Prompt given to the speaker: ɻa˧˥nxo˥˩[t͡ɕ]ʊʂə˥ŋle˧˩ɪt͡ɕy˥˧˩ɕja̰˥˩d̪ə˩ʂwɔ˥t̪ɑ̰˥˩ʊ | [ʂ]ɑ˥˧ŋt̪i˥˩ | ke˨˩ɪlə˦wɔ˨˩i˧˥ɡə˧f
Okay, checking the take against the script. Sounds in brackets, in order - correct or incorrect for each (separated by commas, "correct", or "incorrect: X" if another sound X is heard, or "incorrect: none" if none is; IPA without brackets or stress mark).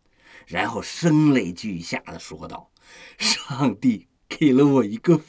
incorrect: none, correct